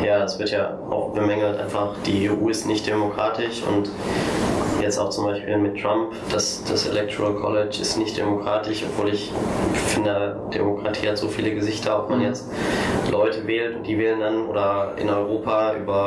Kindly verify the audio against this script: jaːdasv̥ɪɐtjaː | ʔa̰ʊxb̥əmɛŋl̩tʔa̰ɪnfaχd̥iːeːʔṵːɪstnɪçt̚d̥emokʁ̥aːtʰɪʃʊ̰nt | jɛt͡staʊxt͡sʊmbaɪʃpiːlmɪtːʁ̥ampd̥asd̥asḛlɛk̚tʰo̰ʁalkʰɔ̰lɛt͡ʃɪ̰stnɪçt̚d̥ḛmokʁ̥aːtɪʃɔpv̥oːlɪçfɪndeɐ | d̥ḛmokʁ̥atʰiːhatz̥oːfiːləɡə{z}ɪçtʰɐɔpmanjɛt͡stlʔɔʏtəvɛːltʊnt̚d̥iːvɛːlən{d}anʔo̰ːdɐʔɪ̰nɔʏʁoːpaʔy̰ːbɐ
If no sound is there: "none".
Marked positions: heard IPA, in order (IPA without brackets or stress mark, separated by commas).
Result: z, d